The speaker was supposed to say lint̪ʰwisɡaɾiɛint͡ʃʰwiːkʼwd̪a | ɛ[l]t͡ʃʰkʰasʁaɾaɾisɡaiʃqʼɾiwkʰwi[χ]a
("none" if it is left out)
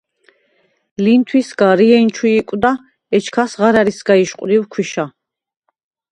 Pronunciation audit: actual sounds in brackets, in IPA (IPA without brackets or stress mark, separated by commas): none, ʃ